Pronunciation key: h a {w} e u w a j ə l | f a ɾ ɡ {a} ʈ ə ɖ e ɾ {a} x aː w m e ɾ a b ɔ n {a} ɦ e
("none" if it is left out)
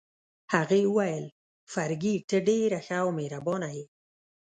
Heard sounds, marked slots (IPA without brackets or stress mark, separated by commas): ɣ, i, a, a